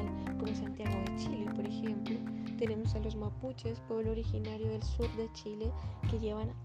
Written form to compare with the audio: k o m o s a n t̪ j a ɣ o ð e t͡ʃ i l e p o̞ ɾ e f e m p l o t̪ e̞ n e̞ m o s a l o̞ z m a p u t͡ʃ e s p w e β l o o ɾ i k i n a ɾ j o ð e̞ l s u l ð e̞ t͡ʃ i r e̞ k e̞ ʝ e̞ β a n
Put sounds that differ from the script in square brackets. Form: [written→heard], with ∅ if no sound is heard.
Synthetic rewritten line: k o m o s a n t̪ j a ɣ o ð e t͡ʃ i l e p o̞ ɾ e [f→x] e m p l o t̪ e̞ n e̞ m o s a l o̞ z m a p u t͡ʃ e s p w e β l o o ɾ i [k→x] i n a ɾ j o ð e̞ l s u [l→ɾ] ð e̞ t͡ʃ i [r→l] e̞ k e̞ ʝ e̞ β a n